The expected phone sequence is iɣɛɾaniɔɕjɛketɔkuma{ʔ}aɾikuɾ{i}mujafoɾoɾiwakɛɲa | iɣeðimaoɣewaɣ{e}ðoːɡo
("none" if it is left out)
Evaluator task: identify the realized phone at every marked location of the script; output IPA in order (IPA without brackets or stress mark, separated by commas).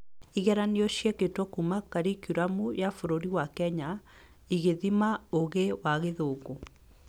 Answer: k, a, e